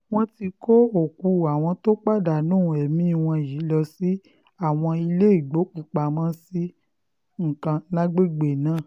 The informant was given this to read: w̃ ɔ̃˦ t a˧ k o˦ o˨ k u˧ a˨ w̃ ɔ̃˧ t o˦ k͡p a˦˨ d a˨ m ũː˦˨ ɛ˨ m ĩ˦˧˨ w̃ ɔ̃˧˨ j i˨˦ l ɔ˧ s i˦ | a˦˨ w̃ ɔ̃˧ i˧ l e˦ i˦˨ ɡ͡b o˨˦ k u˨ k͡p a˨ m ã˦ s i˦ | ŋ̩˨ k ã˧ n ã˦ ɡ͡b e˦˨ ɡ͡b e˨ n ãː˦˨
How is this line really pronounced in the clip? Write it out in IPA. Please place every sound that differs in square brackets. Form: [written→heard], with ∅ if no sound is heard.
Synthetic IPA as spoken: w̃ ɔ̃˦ t [a˧→i˧] k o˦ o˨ k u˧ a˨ w̃ ɔ̃˧ t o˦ k͡p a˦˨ d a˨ [m→n] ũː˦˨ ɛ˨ m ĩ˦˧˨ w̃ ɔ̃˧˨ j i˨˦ l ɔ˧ s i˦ | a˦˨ w̃ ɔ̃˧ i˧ l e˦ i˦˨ ɡ͡b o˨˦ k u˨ k͡p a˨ m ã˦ s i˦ | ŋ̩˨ k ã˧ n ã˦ ɡ͡b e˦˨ ɡ͡b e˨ n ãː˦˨